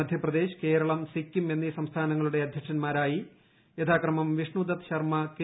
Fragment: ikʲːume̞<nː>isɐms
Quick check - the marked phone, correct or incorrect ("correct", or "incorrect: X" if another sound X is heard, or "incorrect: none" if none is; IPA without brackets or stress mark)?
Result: correct